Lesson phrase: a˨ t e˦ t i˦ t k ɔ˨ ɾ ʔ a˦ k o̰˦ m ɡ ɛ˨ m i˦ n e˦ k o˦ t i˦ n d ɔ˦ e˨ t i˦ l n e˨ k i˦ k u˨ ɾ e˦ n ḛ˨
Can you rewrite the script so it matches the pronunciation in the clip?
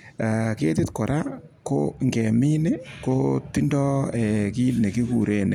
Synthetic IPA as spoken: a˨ k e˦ t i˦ t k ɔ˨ ɾ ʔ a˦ k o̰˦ ŋ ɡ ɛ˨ m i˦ n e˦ k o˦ t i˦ n d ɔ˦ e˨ k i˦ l n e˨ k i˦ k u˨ ɾ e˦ n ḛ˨